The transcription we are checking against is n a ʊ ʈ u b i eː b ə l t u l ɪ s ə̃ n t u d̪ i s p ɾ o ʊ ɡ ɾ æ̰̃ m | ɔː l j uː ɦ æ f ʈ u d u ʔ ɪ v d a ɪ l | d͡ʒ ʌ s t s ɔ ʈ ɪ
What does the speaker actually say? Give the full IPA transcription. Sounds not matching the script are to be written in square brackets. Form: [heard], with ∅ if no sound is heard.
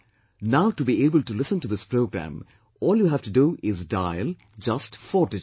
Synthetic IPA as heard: n a ʊ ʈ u b i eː b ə l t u l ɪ s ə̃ n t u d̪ [ɪ] s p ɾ o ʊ ɡ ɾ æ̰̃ m | ɔː l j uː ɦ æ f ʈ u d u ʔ ɪ [z] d a ɪ l | d͡ʒ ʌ s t [f] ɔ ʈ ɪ

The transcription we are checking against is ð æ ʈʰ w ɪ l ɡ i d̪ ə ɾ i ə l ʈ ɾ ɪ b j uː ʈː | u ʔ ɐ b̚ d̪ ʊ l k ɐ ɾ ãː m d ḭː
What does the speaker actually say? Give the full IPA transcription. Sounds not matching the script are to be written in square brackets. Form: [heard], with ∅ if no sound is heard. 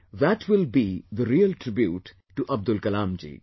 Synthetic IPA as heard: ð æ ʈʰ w ɪ l [b] i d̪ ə ɾ i ə l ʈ ɾ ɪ b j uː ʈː | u ʔ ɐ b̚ d̪ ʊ l k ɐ [l] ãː m [d͡ʒ] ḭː

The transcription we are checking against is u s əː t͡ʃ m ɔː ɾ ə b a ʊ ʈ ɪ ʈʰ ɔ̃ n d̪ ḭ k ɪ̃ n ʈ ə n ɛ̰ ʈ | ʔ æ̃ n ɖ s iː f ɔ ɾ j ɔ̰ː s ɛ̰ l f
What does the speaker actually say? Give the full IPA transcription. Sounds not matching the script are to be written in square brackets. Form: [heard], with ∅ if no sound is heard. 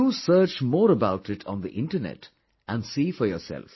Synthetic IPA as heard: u s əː t͡ʃ m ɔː ɾ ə b a ʊ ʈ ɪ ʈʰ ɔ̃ n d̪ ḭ [ʔ] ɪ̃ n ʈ ə n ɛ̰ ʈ | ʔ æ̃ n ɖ s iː f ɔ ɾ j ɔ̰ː s ɛ̰ l f

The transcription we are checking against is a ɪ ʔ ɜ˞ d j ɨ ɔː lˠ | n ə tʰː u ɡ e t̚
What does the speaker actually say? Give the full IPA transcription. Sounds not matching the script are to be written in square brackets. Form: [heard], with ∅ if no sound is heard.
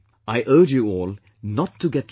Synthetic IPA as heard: a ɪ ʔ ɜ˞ [d͡ʒ] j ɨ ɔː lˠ | n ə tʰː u ɡ [ɛ] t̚

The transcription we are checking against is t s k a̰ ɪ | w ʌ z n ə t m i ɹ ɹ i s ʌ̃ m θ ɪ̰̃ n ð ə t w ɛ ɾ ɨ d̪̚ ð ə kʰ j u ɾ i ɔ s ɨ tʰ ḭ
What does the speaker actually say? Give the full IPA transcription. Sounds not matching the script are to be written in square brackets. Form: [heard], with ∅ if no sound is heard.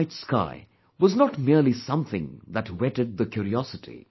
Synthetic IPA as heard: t s k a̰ ɪ | w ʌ z n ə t m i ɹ [l] i s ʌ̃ m θ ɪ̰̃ [ŋ] ð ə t w ɛ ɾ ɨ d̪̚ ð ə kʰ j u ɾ i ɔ s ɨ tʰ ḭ

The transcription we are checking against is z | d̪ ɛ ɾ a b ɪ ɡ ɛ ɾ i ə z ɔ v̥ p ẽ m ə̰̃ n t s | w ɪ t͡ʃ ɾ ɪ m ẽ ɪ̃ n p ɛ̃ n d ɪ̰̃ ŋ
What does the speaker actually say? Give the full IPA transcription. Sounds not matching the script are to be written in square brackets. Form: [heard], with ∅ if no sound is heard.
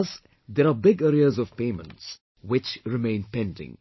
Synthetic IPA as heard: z | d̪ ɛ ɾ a b ɪ ɡ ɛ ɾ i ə z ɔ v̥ p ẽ m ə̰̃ n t s | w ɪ t͡ʃ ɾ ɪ m ẽ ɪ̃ n p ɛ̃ n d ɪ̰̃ ŋ

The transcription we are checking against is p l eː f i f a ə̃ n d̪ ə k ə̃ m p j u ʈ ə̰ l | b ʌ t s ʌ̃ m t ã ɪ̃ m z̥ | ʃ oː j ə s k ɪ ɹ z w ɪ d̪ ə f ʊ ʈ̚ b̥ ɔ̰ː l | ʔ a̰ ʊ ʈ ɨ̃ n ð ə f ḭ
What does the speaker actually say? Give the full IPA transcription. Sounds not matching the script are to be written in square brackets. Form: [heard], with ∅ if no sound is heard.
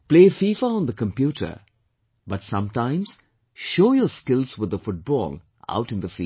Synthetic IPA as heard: p l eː f i f a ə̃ n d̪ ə k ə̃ m p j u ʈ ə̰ [∅] | b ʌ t s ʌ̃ m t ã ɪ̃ m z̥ | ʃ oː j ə s k ɪ [l] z w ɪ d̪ ə f ʊ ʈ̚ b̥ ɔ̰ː l | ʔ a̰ ʊ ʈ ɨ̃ n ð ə f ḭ

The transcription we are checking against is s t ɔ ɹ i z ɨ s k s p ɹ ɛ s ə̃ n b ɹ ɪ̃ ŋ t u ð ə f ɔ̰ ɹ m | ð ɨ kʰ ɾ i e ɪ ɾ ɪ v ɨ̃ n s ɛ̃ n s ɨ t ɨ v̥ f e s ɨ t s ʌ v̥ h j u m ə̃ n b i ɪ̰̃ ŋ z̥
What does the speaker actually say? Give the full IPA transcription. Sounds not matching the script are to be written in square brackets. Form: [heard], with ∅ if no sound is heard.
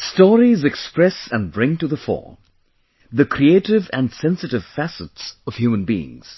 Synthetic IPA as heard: s t ɔ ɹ i z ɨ [∅] k s p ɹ ɛ s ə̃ n b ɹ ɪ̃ ŋ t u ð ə f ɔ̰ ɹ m | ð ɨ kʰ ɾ i e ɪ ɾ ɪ v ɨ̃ n s ɛ̃ n s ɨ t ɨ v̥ f [æ] s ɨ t s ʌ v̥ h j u m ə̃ n b i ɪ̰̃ ŋ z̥

